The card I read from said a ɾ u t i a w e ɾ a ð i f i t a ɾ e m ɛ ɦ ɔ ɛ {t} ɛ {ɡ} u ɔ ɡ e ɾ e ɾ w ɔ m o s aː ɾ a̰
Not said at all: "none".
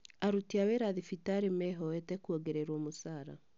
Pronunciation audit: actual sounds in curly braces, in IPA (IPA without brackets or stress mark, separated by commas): t, k